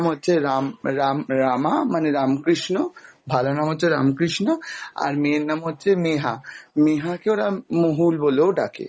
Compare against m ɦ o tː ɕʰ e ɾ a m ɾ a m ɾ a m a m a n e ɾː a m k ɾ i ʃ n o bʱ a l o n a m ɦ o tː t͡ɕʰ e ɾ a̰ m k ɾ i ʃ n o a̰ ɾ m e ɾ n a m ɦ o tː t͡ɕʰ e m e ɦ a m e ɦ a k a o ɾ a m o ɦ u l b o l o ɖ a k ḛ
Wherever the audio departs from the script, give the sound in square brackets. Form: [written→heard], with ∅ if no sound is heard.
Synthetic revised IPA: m ɦ o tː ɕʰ e ɾ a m ɾ a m ɾ a m a m a n e [ɾː→ɾ] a m k ɾ i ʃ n o bʱ a l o n a m ɦ o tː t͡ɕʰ e ɾ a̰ m k ɾ i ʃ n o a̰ ɾ m e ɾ n a m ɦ o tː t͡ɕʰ e m e ɦ a m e ɦ a k [a→e] o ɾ a m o ɦ u l b o l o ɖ a k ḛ